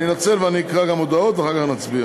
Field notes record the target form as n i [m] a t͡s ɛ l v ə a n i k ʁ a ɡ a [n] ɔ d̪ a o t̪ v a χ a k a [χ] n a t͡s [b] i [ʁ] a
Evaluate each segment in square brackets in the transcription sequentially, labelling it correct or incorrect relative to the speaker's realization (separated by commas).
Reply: incorrect, incorrect, correct, correct, incorrect